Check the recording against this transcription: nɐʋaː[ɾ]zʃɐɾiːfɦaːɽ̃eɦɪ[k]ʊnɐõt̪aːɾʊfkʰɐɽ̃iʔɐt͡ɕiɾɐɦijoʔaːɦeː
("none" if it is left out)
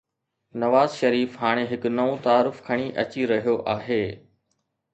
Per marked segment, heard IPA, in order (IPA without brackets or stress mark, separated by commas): none, k